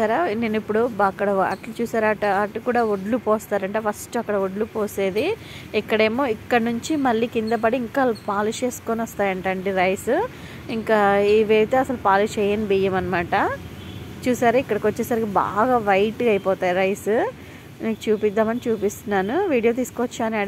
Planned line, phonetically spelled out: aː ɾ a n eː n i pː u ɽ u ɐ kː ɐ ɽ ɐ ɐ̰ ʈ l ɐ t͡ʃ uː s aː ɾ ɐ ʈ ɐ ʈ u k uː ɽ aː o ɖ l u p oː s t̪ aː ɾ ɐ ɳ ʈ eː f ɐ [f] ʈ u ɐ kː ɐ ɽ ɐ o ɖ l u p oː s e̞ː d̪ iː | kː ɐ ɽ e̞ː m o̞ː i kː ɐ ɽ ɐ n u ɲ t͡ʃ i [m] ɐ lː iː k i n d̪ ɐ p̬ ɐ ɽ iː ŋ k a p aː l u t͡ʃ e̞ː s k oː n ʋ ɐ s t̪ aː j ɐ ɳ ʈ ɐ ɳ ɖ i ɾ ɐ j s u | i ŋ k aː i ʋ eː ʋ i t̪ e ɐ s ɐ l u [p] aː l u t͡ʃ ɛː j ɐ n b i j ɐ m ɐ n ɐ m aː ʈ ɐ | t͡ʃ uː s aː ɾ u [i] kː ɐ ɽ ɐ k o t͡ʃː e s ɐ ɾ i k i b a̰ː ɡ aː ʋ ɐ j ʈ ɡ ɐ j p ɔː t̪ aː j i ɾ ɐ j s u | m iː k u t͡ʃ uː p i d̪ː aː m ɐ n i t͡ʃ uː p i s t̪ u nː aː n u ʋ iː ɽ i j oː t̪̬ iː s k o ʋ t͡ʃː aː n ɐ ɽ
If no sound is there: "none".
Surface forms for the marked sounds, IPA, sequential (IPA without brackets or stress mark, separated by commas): s, m, p, i